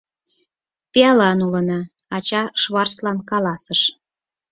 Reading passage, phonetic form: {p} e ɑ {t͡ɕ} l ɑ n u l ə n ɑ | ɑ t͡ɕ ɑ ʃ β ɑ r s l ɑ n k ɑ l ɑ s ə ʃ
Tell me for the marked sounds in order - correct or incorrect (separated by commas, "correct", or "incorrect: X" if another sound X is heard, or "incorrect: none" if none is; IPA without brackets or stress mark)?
correct, incorrect: none